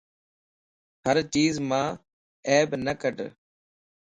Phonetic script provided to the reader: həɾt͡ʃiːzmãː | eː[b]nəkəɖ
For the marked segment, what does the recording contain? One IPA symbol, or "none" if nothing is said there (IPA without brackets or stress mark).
b